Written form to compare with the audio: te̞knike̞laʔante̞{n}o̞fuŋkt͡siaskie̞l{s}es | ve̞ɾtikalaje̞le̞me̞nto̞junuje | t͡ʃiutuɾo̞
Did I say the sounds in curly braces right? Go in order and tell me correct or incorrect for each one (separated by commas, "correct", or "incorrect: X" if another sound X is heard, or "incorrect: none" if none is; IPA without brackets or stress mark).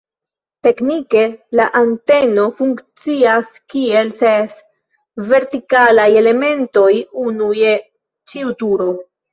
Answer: correct, correct